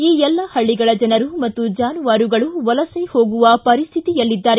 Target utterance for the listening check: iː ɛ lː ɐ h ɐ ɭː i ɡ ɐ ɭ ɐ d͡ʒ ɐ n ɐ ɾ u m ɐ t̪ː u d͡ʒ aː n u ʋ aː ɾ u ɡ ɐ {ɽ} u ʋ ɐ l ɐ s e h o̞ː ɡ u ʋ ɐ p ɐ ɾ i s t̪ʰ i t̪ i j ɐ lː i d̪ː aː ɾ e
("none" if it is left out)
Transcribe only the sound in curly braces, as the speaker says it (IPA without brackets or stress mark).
ɭ